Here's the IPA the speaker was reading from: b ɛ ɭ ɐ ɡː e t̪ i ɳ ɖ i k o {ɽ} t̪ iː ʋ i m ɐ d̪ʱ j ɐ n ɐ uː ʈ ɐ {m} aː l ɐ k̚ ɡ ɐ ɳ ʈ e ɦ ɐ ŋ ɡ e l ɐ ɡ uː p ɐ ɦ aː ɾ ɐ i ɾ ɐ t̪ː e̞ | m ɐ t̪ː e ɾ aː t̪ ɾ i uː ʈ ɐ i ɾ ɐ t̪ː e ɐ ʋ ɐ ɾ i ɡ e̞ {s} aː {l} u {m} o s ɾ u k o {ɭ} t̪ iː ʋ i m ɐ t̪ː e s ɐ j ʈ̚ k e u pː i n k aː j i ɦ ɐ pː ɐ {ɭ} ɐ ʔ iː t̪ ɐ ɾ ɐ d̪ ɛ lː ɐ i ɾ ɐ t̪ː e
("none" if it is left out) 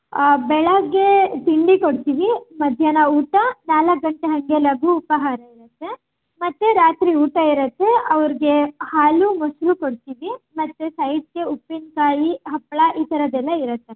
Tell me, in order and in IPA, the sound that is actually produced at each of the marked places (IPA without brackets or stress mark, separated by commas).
ɽ, n, h, l, m, ɽ, ɭ